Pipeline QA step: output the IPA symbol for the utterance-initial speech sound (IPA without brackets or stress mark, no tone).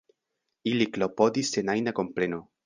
i